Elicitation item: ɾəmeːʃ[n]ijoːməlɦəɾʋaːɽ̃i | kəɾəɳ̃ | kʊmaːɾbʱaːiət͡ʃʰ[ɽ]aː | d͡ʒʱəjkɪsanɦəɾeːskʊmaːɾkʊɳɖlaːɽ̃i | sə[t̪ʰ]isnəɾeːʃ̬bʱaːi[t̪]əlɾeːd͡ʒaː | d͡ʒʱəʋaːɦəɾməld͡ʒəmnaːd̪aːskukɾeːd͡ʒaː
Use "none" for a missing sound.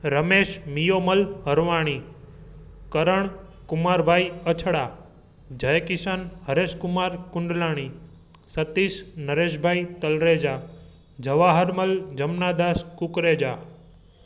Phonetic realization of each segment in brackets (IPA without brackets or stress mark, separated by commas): m, ɽ, t̪, t̪